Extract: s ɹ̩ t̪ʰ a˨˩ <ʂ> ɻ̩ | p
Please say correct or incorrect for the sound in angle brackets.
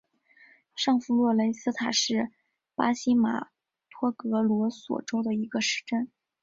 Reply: correct